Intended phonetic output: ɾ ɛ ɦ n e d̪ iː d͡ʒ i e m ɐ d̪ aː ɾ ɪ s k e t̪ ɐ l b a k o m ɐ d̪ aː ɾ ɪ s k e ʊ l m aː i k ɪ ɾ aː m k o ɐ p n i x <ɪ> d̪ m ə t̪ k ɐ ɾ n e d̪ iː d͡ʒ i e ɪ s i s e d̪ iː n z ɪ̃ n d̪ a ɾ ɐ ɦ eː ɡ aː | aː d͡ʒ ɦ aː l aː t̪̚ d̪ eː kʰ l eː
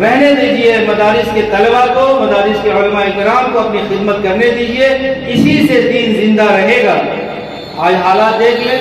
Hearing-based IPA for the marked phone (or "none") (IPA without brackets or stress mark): ɪ